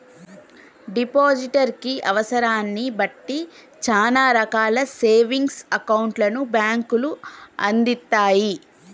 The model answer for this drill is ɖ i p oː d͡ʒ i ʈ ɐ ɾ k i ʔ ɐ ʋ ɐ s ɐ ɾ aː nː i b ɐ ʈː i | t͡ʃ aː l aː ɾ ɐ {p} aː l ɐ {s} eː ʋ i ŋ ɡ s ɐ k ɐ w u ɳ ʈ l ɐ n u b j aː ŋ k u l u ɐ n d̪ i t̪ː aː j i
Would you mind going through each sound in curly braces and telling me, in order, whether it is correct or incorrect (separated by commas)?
incorrect, correct